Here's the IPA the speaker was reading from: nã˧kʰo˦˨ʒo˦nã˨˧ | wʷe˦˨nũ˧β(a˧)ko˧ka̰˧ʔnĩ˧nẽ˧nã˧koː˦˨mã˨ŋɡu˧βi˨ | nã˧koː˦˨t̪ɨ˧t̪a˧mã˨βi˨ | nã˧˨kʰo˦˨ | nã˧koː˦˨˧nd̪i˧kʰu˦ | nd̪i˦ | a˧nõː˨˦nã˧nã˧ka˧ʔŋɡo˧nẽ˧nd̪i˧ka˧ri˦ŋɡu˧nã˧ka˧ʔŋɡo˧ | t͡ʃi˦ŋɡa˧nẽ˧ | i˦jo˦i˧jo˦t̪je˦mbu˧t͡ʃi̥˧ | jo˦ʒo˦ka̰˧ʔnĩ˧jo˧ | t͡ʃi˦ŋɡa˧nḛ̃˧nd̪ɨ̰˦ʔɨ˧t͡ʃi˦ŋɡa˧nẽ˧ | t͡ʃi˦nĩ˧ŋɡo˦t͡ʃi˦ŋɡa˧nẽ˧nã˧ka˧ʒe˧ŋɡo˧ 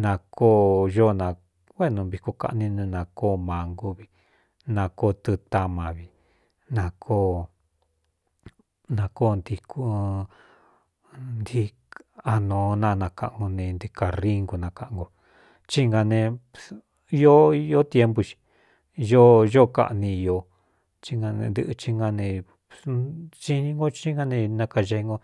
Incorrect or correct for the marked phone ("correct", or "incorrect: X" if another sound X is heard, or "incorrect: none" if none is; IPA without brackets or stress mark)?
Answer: incorrect: i˧